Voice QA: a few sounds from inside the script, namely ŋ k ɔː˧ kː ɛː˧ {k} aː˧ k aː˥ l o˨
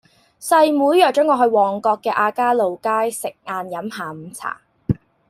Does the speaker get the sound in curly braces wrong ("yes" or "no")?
yes